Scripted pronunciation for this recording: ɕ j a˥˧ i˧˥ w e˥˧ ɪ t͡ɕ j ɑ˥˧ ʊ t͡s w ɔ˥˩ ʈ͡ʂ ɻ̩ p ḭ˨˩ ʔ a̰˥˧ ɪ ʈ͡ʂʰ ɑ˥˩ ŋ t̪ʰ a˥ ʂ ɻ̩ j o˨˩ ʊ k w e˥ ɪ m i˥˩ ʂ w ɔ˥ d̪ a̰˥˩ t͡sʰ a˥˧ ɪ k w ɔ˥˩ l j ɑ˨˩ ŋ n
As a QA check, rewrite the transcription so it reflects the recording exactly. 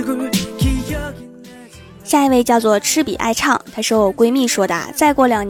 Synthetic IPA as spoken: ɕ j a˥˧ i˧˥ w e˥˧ ɪ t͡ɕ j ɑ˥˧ ʊ t͡s w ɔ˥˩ ʈ͡ʂʰ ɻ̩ p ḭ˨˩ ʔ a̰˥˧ ɪ ʈ͡ʂʰ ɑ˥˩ ŋ t̪ʰ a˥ ʂ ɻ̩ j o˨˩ ʊ k w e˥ ɪ m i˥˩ ʂ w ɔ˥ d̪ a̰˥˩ t͡s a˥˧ ɪ k w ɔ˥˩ l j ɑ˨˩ ŋ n